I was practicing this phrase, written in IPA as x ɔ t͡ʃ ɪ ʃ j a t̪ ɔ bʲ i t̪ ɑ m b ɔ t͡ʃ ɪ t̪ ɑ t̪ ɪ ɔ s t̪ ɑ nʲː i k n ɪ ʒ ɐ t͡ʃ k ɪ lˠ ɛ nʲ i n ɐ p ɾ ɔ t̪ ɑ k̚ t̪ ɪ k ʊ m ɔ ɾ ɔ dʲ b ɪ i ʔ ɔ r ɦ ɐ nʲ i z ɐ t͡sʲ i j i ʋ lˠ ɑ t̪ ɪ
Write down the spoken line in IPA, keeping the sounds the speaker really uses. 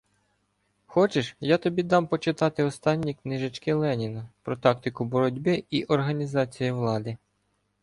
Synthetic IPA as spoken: x ɔ t͡ʃ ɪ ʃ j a t̪ ɔ bʲ i d̪ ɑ m p ɔ t͡ʃ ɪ t̪ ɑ t̪ ɪ ɔ s t̪ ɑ nʲː i k n ɪ ʒ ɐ t͡ʃ k ɪ lˠ ɛ nʲ i n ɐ p ɾ ɔ t̪ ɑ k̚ t̪ ɪ k ʊ b ɔ ɾ ɔ dʲ b ɪ i ʔ ɔ r ɦ ɐ nʲ i z ɑ t͡sʲ i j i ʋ lˠ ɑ d̪ ɪ